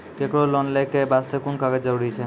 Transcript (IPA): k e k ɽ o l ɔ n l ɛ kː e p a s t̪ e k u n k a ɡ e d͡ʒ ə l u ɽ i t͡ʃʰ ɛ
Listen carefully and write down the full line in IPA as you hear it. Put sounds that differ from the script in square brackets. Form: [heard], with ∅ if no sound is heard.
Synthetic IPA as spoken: k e k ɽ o l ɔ n l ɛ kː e [b] a s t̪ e k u n k a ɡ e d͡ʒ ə [ɾ] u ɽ i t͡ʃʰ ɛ

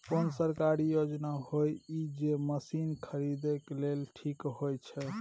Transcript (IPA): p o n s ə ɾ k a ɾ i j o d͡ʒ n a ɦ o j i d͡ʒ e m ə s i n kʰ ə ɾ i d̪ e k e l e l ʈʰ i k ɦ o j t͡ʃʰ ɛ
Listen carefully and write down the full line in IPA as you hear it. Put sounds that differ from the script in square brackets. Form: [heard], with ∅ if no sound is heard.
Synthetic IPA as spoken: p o n s ə ɾ k a ɾ i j o d͡ʒ n a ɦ o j i d͡ʒ e m ə s i n kʰ ə ɾ i d̪ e k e l e l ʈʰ i k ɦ o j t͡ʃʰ ɛ

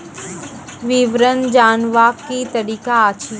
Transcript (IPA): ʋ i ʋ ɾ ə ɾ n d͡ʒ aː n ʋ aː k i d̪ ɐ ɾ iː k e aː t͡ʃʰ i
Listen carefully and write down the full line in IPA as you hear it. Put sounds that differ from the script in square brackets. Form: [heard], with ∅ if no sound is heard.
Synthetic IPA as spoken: ʋ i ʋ ɾ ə [∅] n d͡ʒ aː n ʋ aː k i [t̪] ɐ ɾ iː k [a] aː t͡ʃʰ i

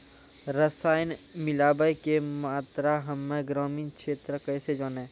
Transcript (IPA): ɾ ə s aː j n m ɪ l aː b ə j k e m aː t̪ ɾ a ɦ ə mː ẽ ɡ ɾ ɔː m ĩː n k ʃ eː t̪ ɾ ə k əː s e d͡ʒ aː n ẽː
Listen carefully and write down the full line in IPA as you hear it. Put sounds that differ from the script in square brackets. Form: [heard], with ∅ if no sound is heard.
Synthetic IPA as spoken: ɾ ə s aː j n m ɪ l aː b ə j k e m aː t̪ ɾ a ɦ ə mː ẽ ɡ ɾ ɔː m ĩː n k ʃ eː t̪ ɾ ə k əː s e d͡ʒ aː n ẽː

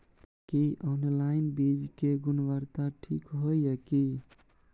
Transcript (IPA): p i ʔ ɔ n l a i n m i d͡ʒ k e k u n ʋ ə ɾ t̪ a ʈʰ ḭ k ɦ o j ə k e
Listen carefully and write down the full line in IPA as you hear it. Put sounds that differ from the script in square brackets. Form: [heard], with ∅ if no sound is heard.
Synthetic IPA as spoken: [k] i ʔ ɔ n l a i n [b] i d͡ʒ k e [ɡ] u n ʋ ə ɾ t̪ a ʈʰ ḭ k ɦ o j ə k [i]

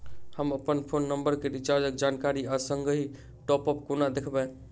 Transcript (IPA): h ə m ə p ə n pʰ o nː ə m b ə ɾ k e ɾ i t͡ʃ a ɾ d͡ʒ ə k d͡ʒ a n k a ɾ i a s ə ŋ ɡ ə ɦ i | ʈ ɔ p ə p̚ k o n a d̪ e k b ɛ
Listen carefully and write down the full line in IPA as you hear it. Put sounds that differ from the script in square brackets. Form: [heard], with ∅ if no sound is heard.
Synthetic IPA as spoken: h ə m ə p ə n pʰ o nː ə m b ə ɾ k e ɾ i t͡ʃ a ɾ d͡ʒ ə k d͡ʒ a n k a ɾ i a s ə ŋ ɡ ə ɦ i | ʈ ɔ p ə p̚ k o n a d̪ e [kʰ] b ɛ

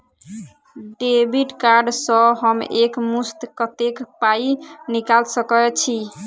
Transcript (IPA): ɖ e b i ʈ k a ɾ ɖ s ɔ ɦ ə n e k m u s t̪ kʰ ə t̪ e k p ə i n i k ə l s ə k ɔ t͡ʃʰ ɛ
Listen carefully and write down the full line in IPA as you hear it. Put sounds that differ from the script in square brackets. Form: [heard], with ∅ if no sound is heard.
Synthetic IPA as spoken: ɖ e b i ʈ k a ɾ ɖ s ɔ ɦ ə [m] e k m u s t̪ [k] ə t̪ e k p [a] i n i k [a] l s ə k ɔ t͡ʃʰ [i]

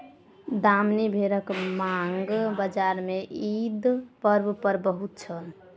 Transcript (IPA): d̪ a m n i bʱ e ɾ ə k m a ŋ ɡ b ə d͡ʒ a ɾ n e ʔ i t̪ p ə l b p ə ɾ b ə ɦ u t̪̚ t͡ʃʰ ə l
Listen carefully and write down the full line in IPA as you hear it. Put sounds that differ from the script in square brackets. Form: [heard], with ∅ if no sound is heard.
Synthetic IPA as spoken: d̪ a m n i bʱ e ɾ ə k m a ŋ ɡ b ə d͡ʒ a ɾ [m] e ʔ i [d̪] p ə [ɾ] b p ə ɾ b ə ɦ u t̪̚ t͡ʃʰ ə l

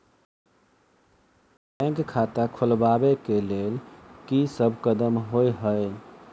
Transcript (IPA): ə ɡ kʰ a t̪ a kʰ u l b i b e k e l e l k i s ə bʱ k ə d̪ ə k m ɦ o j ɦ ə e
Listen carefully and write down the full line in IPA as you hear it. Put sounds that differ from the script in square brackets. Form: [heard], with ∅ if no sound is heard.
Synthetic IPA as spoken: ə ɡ kʰ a t̪ a kʰ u l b [a] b e k e l e l k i s ə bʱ k ə d̪ ə [∅] m ɦ o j ɦ ə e

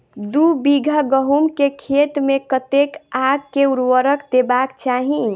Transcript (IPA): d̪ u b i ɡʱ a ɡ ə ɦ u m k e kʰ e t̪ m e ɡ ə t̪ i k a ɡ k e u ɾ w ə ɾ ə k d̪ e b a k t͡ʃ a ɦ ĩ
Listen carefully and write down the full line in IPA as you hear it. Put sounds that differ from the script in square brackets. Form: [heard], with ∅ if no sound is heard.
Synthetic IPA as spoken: d̪ u b i ɡʱ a ɡ ə ɦ u m k e kʰ e t̪ m e [k] ə t̪ [e] k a ɡ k e u ɾ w ə ɾ ə k d̪ e b a k t͡ʃ a ɦ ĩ

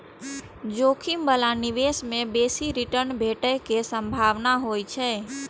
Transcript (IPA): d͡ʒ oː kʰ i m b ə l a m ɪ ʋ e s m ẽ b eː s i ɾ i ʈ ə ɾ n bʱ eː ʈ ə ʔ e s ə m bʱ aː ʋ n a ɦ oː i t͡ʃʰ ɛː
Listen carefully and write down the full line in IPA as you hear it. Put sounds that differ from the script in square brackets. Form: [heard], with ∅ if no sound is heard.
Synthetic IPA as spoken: d͡ʒ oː kʰ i m b ə l a [n] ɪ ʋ e s m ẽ b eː s i ɾ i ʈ ə ɾ n bʱ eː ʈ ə [k] e s ə m bʱ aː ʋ n a ɦ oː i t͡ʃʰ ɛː

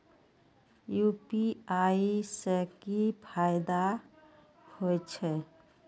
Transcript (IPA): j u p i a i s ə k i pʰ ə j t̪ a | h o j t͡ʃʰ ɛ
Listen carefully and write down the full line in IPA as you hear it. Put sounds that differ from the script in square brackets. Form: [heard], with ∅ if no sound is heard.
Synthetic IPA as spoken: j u p i a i s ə k i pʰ [a] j [d̪] a | h o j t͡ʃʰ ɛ

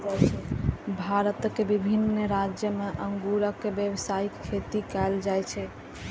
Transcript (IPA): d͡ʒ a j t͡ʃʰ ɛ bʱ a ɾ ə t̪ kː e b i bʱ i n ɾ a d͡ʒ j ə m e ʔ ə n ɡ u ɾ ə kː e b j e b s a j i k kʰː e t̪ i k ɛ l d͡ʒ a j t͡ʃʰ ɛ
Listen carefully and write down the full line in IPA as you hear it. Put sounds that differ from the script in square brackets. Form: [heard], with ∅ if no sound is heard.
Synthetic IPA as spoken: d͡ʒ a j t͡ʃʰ ɛ bʱ a ɾ ə t̪ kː e b i bʱ i n ɾ a d͡ʒ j ə m e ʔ ə [ŋ] ɡ u ɾ ə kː e b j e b s a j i k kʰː e t̪ i k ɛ l d͡ʒ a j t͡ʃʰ ɛ

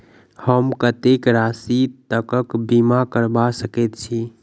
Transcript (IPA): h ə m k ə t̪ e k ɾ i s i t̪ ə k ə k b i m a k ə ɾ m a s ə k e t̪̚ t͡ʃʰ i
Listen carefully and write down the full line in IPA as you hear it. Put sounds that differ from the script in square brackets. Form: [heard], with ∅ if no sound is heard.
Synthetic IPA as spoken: h ə m k ə t̪ e k ɾ [a] s i t̪ ə k ə k b i m a k ə ɾ [b] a s ə k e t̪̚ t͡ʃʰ i

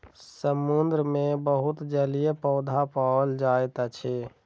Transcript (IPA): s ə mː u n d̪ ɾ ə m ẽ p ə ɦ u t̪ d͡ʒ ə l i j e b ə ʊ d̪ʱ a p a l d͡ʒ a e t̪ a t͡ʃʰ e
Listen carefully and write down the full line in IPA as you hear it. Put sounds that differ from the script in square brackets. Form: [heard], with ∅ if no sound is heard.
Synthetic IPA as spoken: s ə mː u n d̪ ɾ ə m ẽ [b] ə ɦ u t̪ d͡ʒ ə l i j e [p] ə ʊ d̪ʱ a p a l d͡ʒ a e t̪ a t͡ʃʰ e

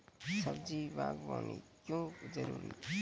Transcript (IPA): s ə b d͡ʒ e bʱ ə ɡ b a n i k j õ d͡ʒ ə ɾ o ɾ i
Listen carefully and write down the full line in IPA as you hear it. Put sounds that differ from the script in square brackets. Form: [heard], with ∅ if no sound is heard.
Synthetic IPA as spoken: s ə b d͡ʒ [i] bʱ [a] ɡ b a n i k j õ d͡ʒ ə ɾ [u] ɾ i

